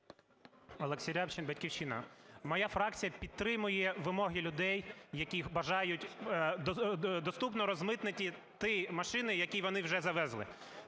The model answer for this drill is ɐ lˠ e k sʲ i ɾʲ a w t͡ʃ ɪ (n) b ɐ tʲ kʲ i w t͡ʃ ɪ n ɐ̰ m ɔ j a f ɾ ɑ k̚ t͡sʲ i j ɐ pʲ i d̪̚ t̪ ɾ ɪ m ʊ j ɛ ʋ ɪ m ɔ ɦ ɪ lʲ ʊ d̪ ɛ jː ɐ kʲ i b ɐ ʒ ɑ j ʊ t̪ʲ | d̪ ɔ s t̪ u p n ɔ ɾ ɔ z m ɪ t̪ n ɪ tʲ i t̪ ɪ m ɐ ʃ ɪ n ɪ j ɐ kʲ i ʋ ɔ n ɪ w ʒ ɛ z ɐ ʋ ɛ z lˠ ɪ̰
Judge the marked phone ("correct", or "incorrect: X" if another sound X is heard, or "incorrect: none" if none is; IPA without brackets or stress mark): correct